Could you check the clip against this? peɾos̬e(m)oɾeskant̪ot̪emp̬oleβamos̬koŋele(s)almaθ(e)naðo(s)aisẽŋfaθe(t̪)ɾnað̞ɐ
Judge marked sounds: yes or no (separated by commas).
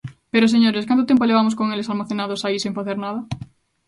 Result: no, yes, yes, yes, no